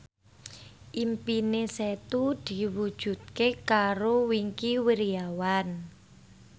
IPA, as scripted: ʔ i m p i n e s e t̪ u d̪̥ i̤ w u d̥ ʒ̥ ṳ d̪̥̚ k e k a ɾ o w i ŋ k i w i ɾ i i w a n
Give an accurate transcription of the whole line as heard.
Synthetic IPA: ʔ i m p i n e s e t̪ u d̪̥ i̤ w u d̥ ʒ̥ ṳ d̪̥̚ k e k a ɾ o w i ŋ k i w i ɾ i a w a n